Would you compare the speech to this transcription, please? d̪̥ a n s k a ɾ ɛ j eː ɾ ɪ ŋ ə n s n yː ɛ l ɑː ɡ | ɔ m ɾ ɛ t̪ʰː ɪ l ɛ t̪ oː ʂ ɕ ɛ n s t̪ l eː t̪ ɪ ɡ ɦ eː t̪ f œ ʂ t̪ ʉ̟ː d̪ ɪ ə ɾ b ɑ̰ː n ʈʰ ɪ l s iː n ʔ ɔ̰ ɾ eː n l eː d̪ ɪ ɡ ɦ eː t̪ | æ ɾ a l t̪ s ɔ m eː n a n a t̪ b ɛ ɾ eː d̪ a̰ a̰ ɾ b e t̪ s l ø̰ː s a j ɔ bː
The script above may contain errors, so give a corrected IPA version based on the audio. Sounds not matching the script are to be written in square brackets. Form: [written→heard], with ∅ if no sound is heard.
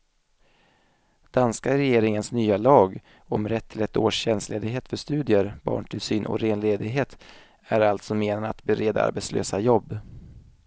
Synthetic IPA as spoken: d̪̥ a n s k a ɾ ɛ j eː ɾ ɪ ŋ ə n s n yː [ɛ→a] l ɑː ɡ | ɔ m ɾ ɛ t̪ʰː ɪ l ɛ t̪ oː ʂ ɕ ɛ n s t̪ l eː [t̪→d̪] ɪ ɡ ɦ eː t̪ f œ ʂ t̪ ʉ̟ː d̪ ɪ ə ɾ b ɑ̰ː [n→ɳ] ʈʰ ɪ l s [iː→yː] n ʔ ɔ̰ ɾ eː n l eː d̪ ɪ ɡ ɦ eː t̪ | æ ɾ a l t̪ s ɔ m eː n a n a t̪ b ɛ ɾ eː d̪ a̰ a̰ ɾ b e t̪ s l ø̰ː s a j ɔ bː